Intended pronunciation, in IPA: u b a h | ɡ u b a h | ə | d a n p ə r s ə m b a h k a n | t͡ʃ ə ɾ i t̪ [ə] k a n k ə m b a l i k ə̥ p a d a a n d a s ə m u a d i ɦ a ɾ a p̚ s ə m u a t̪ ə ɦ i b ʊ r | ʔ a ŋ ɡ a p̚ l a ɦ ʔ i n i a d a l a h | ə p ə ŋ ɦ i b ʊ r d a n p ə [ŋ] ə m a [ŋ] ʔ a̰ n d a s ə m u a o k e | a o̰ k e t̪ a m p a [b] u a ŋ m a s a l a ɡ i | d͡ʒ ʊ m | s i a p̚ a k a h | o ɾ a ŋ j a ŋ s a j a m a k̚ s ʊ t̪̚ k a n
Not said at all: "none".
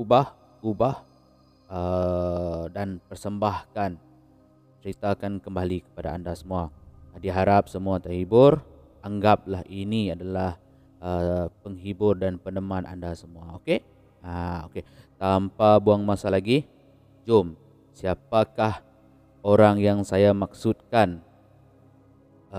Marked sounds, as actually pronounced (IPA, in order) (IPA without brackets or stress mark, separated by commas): a, n, n, b